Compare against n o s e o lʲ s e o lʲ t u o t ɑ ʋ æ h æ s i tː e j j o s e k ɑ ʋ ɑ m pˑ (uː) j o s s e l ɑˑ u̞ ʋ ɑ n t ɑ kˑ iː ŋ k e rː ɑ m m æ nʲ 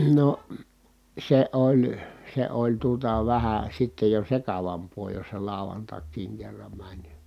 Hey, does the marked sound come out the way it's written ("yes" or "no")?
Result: no